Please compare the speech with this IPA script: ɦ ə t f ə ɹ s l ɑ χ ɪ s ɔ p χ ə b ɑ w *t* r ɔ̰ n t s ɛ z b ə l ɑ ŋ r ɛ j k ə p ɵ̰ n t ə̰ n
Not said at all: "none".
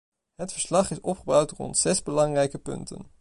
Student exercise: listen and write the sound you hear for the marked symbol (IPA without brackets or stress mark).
t